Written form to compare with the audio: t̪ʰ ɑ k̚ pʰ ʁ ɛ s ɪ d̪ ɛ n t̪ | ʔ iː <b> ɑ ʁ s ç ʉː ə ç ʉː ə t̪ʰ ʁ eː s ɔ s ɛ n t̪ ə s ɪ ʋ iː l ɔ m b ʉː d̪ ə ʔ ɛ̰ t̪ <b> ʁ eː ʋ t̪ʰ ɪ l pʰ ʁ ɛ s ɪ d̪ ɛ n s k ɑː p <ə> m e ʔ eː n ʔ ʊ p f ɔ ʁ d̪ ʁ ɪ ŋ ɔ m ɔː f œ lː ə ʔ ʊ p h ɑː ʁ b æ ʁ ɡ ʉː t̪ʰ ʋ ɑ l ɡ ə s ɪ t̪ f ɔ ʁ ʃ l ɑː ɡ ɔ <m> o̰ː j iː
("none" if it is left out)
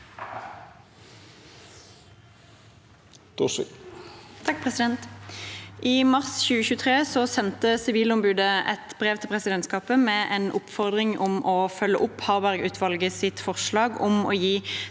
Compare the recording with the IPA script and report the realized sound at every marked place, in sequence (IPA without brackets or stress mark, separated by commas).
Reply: m, b, ə, m